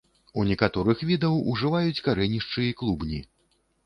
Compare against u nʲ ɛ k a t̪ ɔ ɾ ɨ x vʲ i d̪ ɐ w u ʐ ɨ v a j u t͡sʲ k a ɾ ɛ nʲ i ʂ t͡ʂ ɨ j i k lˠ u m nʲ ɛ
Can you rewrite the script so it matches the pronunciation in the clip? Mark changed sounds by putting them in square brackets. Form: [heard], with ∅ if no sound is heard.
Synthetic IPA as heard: u nʲ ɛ k a t̪ ɔ ɾ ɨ x vʲ i d̪ ɐ w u ʐ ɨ v a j u t͡sʲ k a ɾ ɛ nʲ i ʂ t͡ʂ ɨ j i k lˠ u [b] nʲ [i]